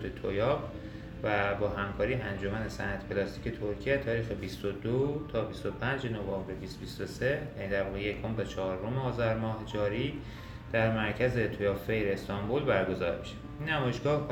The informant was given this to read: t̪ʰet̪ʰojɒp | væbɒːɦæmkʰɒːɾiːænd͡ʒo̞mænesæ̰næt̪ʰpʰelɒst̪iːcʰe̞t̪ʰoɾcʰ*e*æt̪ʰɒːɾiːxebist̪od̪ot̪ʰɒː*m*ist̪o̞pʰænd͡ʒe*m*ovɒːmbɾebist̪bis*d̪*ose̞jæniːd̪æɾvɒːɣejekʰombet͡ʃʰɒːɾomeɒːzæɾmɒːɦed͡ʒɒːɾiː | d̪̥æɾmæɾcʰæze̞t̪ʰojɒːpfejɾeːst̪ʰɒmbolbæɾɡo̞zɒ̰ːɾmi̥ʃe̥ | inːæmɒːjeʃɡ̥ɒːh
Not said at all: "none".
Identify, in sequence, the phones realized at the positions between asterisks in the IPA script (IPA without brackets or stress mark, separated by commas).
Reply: i, b, n, t̪